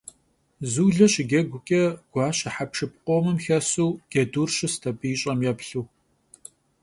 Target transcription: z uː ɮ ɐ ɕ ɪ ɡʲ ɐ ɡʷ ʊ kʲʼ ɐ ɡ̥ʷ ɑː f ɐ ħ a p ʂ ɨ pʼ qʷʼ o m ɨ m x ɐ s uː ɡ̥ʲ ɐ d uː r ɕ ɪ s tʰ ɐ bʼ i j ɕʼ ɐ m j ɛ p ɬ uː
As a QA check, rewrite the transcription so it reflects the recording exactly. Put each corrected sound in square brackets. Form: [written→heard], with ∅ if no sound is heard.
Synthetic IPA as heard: z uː ɮ ɐ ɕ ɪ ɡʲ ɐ ɡʷ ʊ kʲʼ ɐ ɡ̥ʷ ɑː [f→ɕ] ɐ ħ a p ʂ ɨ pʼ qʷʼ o m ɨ m x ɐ s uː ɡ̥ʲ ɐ d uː r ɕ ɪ s tʰ ɐ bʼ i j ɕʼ ɐ m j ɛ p ɬ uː